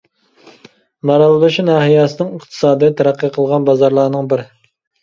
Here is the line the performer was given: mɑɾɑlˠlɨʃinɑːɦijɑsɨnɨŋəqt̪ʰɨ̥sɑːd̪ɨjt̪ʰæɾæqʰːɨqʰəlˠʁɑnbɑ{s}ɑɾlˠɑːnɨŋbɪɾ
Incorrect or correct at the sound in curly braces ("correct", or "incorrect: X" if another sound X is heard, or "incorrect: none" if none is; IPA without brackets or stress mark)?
incorrect: z